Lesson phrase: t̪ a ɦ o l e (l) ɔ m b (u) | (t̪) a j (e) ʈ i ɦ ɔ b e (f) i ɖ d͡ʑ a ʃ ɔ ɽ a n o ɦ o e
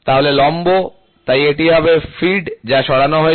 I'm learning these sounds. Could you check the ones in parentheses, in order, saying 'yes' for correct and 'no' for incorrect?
yes, no, yes, yes, yes

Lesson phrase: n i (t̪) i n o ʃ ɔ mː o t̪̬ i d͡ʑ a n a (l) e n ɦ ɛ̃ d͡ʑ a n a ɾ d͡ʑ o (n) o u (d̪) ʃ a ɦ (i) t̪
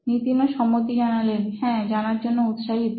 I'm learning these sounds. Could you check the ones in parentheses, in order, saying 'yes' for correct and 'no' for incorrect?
yes, yes, no, no, yes

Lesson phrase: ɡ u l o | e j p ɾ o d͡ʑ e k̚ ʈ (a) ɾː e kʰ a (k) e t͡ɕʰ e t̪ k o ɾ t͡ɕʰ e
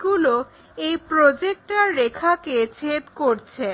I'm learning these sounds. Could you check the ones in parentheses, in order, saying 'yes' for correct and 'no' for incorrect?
yes, yes

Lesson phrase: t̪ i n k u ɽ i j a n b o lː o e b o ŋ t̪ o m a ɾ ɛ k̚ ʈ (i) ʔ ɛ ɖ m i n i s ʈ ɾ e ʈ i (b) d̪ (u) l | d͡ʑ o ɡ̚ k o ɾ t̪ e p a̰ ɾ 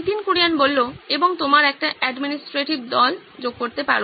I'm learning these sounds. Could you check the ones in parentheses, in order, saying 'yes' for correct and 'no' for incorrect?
no, yes, no

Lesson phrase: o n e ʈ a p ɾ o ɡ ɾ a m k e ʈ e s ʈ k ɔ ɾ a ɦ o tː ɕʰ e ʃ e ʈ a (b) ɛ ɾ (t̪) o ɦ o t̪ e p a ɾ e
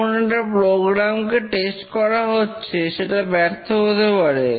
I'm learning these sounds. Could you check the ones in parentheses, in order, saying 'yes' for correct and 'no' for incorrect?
yes, no

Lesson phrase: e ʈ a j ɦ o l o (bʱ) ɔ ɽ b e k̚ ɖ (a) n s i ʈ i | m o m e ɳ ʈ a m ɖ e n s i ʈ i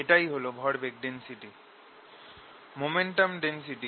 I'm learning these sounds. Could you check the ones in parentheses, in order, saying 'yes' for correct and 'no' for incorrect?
yes, no

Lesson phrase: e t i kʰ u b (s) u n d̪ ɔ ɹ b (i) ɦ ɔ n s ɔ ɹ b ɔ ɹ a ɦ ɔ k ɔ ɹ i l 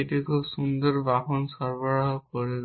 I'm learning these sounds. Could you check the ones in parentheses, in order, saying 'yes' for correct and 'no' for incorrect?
yes, no

